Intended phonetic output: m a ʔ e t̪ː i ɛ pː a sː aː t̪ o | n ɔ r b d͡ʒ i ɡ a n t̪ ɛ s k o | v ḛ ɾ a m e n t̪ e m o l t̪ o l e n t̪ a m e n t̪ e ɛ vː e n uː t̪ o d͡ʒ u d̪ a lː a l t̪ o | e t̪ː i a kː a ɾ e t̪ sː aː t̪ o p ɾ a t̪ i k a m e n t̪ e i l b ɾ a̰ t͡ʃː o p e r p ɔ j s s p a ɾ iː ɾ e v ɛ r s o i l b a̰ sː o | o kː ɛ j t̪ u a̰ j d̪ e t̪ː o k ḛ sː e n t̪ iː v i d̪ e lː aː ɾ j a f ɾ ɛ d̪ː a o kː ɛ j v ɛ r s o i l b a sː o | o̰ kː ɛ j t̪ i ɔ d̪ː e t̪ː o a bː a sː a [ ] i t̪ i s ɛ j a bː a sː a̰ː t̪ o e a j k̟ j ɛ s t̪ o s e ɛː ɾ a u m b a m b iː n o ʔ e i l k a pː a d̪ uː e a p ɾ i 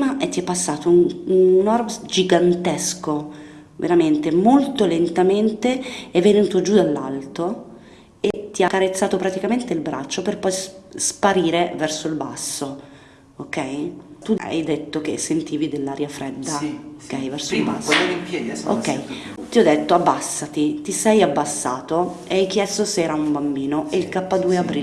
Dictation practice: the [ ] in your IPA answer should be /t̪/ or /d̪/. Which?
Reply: t̪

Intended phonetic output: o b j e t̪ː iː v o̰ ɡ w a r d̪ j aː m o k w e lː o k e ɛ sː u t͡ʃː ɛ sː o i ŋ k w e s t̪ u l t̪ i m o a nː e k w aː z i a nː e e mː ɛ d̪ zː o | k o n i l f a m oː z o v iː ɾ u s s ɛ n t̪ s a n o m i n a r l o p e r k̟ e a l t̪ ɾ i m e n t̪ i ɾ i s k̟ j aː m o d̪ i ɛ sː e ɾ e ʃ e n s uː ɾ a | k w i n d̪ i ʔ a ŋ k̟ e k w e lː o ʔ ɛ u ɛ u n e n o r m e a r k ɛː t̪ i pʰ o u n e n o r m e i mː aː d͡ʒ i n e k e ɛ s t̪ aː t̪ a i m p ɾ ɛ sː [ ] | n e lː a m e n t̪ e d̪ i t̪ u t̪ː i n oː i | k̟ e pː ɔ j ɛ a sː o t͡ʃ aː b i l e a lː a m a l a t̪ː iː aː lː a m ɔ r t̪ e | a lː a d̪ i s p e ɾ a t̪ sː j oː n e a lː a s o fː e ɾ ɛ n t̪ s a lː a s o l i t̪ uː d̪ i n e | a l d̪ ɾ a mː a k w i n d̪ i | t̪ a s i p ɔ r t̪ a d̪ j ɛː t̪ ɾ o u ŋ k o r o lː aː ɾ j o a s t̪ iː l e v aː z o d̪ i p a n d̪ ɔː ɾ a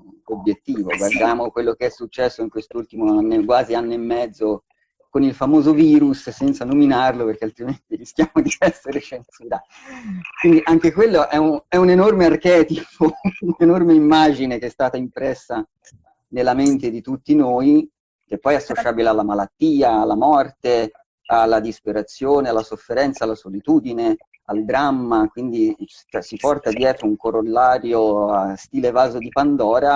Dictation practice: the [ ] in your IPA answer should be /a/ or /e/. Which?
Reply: a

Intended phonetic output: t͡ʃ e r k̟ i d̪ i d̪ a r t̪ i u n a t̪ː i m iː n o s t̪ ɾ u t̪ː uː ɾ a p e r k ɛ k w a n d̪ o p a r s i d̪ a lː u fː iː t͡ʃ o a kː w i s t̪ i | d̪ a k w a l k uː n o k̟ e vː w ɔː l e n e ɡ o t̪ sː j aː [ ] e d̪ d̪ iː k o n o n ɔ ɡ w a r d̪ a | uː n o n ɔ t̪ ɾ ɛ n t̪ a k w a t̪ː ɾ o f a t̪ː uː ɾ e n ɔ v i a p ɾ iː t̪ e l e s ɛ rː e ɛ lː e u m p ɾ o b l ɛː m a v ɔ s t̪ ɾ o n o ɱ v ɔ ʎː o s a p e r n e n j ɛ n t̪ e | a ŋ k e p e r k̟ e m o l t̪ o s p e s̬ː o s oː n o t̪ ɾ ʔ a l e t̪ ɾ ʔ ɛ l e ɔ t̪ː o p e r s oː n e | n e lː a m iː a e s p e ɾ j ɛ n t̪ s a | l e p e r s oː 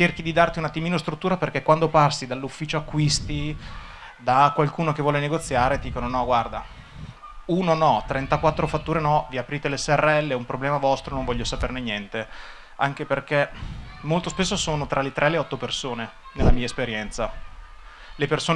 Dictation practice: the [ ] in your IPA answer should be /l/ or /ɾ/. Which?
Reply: ɾ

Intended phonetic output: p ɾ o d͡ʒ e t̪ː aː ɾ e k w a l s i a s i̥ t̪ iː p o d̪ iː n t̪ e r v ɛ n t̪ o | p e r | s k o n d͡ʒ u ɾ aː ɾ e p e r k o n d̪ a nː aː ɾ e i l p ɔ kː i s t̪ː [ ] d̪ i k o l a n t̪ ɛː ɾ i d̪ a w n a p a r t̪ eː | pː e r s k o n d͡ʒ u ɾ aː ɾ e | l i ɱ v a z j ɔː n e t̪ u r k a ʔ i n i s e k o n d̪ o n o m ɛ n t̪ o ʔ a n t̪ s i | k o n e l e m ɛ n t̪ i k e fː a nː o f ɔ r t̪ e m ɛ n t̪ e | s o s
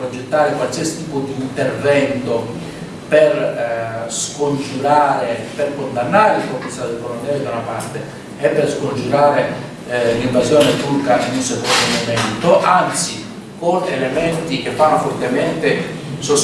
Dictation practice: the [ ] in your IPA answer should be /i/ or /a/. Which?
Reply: a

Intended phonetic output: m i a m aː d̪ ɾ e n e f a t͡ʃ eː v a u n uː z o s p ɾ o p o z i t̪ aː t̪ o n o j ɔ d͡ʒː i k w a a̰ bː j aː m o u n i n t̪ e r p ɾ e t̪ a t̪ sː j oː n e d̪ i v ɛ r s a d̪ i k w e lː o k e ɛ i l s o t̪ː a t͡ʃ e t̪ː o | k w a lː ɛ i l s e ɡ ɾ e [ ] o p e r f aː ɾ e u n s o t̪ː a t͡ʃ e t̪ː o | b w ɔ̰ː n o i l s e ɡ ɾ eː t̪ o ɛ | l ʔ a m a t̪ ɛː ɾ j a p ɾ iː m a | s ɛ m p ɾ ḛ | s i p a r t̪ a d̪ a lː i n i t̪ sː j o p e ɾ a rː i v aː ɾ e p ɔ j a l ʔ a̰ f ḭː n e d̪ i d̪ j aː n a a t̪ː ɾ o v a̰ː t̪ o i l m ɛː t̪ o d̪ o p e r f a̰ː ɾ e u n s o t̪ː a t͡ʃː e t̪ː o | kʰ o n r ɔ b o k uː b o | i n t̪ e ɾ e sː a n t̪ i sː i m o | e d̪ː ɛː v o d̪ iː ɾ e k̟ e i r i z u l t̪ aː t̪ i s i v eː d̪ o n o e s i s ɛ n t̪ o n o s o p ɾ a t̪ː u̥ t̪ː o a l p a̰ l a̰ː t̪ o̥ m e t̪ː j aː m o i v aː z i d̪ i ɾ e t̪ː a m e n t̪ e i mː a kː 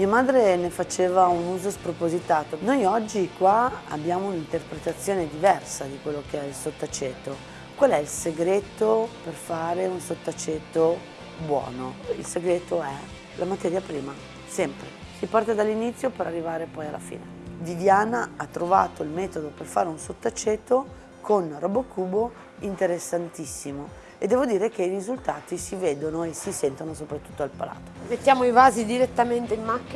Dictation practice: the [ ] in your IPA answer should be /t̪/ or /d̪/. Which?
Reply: t̪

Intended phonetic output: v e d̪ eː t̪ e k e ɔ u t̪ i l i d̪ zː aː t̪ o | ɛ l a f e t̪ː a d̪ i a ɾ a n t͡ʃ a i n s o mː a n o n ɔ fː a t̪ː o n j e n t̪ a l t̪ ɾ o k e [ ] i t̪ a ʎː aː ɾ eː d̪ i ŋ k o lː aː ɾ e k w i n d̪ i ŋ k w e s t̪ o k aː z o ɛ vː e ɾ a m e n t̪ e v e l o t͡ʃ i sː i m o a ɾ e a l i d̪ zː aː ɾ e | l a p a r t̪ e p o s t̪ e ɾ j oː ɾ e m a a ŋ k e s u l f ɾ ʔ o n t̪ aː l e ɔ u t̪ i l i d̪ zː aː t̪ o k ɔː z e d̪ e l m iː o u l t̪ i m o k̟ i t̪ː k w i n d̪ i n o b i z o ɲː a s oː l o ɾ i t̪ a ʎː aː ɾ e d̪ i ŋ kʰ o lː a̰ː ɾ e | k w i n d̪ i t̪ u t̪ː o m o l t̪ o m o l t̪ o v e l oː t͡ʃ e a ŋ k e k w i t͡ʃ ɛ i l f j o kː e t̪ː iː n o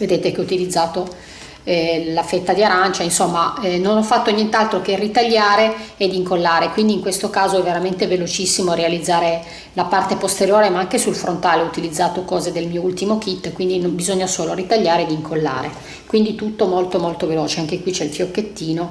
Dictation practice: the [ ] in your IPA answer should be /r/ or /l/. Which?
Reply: r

